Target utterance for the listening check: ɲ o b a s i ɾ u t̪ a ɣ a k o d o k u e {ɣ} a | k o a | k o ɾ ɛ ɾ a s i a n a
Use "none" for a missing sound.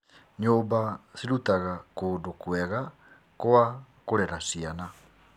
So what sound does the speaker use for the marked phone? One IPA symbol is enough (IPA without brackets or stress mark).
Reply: ɣ